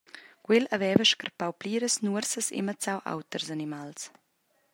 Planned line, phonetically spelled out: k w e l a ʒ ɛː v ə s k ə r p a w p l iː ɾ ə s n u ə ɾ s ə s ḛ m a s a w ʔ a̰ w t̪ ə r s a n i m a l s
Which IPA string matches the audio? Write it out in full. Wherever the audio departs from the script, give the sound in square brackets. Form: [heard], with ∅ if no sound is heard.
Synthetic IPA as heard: k w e l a [v] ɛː v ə [ʃ] k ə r p a w p l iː ɾ ə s n u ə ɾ s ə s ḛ m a [t͡s] a w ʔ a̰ w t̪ ə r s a n i m a l s